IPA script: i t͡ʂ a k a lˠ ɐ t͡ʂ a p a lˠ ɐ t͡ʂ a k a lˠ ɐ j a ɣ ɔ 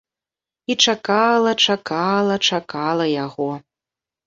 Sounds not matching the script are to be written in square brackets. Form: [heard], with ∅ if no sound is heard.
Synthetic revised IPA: i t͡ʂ a k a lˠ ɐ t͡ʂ a [k] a lˠ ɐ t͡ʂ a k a lˠ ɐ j a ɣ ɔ